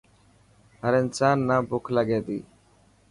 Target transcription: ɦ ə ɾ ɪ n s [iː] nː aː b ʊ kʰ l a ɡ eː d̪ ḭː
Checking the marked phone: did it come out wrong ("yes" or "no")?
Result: yes